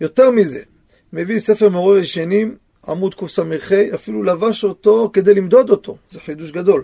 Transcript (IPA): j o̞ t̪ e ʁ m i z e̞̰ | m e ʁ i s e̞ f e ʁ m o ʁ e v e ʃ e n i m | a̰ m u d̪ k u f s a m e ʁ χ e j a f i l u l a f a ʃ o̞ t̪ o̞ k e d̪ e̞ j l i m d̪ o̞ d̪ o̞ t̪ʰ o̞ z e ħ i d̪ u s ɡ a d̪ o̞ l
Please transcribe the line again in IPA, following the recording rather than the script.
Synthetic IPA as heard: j o̞ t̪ e ʁ m i z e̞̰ | m e v i s e̞ f e ʁ m o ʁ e v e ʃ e n i m | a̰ m u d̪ k u f s a m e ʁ χ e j a f i l u l a v a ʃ o̞ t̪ o̞ k e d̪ e̞ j l i m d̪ o̞ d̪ o̞ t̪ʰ o̞ z e ħ i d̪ u ʃ ɡ a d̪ o̞ l